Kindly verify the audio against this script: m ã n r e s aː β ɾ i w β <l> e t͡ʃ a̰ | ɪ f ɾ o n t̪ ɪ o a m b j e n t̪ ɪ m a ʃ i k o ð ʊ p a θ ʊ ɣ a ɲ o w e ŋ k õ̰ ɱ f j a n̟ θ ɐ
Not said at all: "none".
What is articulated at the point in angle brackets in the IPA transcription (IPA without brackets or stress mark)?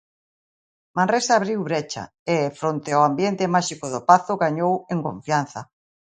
ɾ